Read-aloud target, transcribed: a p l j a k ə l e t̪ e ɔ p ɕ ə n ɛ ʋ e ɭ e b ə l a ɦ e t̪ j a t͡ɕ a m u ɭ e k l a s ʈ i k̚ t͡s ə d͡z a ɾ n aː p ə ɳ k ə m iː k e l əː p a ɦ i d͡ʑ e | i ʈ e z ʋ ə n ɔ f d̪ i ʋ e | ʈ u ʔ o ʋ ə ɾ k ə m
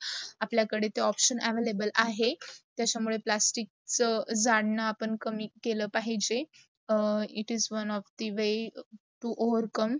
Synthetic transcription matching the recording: a p l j a k ə ɽ e t̪ e ɔ p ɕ ə n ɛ ʋ e l e b ə l a ɦ e t̪ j a t͡ɕ a m u ɭ e p l a s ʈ i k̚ t͡s ə d͡z a ɽ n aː p ə ɳ k ə m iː k e l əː p a ɦ i d͡ʑ e | i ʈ i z ʋ ə n ɔ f d̪ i ʋ e | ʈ u ʔ o ʋ ə ɾ k ə m